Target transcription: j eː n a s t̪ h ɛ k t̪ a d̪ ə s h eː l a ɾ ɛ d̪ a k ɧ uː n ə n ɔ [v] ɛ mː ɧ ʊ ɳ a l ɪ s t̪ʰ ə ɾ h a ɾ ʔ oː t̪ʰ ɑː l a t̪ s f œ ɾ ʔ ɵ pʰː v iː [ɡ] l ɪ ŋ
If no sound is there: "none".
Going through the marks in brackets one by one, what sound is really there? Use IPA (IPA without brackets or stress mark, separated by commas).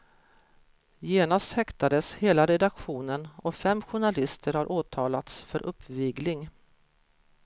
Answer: f, ɡ